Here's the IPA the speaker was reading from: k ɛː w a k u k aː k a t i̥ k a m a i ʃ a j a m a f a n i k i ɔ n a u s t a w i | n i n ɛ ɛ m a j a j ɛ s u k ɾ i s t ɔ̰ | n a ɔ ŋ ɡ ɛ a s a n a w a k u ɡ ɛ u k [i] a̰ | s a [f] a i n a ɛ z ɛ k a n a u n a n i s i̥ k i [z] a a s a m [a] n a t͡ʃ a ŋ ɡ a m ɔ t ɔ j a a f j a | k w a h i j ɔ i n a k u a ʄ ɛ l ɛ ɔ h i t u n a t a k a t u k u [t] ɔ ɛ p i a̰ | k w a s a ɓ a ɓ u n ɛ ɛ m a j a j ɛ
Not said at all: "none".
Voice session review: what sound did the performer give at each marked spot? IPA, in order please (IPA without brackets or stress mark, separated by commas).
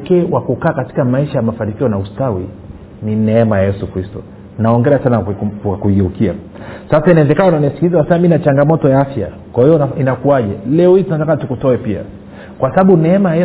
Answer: i, s, z, i, t